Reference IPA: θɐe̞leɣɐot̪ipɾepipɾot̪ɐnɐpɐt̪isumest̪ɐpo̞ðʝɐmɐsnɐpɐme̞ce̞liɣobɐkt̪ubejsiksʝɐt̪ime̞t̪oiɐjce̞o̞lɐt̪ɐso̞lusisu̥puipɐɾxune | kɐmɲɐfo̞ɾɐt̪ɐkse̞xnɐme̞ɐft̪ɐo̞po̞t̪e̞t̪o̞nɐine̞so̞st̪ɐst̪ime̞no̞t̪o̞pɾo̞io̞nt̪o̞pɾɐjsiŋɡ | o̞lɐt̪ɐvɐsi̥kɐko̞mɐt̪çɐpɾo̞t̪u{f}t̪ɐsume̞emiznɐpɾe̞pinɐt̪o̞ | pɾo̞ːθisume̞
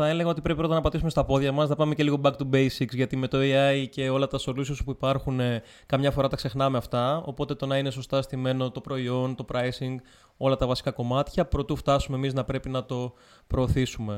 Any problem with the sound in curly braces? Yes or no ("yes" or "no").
no